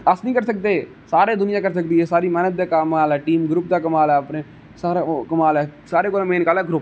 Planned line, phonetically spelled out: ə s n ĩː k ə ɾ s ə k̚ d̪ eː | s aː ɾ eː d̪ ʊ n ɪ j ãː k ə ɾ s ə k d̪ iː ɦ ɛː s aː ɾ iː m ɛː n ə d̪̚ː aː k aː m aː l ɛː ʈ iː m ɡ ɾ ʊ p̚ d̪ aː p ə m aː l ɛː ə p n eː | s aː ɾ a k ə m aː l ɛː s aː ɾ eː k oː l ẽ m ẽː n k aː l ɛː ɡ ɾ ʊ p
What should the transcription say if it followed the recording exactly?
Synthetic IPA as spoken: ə s n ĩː k ə ɾ s ə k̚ d̪ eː | s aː ɾ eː d̪ ʊ n ɪ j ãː k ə ɾ s ə k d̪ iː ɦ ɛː s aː ɾ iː m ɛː n ə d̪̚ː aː k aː m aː l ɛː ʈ iː m ɡ ɾ ʊ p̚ d̪ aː k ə m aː l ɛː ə p n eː | s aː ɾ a k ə m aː l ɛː s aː ɾ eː k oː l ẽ m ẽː n k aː l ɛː ɡ ɾ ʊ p